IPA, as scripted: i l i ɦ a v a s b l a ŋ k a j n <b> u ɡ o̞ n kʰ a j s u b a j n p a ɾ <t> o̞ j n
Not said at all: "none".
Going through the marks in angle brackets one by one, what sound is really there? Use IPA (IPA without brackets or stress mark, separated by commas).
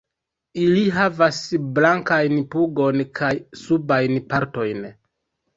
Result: p, t